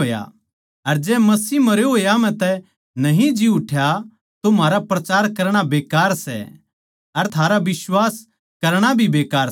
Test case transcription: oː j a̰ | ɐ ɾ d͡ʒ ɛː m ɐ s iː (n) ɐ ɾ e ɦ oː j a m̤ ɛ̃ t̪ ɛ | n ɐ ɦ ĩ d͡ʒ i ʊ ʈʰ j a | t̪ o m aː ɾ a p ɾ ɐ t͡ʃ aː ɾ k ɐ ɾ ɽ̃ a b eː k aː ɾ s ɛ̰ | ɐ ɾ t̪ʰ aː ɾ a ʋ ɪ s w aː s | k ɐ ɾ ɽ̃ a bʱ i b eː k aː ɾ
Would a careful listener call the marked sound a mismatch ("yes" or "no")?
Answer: yes